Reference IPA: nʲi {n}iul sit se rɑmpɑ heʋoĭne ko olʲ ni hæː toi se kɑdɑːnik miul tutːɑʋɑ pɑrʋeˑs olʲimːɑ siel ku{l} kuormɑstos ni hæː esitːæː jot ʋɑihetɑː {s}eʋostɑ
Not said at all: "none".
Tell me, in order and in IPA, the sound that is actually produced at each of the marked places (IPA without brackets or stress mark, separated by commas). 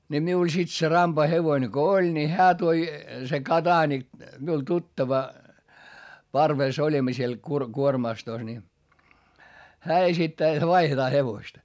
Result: m, r, h